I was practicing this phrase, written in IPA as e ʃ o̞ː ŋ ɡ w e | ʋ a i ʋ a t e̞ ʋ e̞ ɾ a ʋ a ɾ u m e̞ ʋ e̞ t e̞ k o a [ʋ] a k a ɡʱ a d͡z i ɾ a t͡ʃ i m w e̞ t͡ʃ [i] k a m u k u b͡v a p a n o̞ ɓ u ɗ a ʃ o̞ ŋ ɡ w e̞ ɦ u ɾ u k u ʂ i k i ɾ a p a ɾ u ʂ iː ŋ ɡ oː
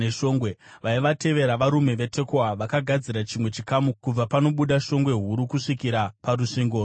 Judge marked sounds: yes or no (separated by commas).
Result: yes, yes